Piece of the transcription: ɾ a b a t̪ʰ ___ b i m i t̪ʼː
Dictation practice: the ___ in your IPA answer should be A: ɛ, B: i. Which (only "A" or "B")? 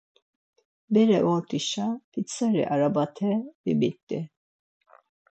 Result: A